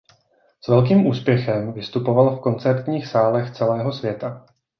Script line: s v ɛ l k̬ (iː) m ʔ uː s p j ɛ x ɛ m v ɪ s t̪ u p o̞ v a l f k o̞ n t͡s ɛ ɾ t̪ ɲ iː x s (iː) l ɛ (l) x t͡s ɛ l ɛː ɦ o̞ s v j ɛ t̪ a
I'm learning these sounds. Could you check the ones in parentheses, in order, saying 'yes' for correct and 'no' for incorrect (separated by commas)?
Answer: yes, no, no